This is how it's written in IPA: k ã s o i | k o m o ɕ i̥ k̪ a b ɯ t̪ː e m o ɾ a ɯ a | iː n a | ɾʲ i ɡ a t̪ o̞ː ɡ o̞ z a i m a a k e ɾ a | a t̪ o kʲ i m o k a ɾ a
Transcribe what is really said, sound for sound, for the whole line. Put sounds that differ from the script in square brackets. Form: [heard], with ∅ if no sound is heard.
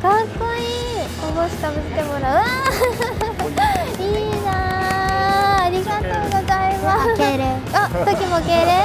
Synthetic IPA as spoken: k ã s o i | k o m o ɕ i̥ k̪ a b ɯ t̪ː e m o ɾ a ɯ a | iː n a | ɾʲ i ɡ a t̪ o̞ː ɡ o̞ z a i m a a k e ɾ [e] | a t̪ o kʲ i m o k [e] ɾ [e]